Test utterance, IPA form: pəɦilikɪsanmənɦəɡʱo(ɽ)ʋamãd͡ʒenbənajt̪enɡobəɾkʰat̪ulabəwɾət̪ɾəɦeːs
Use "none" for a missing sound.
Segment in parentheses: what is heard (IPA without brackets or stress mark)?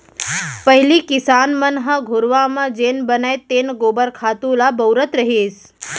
ɾ